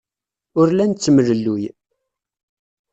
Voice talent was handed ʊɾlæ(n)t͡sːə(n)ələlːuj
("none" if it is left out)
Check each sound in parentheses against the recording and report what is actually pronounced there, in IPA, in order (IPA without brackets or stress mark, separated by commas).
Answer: n, m